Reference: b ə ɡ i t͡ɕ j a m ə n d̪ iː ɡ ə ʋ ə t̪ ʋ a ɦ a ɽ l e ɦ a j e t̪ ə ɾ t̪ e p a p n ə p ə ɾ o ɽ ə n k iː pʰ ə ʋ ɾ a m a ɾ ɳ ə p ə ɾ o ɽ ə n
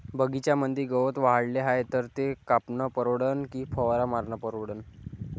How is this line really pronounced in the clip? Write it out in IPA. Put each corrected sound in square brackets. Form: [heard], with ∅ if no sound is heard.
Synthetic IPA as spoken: b ə ɡ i t͡ɕ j a m ə n d̪ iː ɡ ə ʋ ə t̪ ʋ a ɦ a ɽ l e ɦ a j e t̪ ə ɾ t̪ e [k] a p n ə p ə ɾ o ɽ ə n k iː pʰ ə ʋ ɾ a m a ɾ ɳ ə p ə ɾ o ɽ ə n